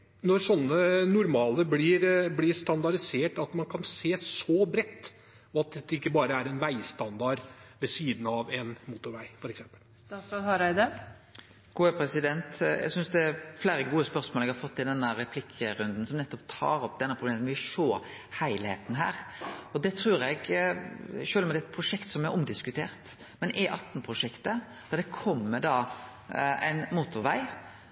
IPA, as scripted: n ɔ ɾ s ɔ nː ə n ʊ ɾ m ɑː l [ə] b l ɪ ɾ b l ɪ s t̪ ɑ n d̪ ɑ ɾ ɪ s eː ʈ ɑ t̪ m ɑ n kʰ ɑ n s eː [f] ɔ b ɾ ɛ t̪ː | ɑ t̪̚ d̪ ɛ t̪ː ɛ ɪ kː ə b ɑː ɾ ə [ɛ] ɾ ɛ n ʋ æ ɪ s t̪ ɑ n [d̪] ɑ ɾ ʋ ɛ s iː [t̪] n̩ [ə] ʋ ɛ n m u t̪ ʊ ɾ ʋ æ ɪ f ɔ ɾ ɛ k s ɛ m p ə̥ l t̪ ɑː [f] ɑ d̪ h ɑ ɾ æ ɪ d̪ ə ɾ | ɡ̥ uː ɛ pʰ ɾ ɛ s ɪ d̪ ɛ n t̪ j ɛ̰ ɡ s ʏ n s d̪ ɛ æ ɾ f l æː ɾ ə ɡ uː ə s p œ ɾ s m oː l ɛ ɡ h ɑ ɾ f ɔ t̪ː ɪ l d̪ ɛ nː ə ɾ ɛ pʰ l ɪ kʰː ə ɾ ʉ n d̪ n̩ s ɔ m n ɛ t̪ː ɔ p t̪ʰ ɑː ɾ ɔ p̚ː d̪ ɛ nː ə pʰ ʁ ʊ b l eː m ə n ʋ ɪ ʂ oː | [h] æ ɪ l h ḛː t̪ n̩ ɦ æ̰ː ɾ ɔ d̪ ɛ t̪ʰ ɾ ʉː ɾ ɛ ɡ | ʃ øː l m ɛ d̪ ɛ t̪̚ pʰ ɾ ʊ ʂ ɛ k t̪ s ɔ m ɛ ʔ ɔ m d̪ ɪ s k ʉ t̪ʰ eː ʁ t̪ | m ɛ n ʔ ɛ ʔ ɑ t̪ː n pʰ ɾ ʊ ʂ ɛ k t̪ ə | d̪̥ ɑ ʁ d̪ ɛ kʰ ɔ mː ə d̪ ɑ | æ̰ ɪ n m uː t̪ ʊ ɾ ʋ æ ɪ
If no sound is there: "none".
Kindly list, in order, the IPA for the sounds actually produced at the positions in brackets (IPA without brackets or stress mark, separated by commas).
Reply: ə, s, æ, d̪, d̪, ɑ, s, h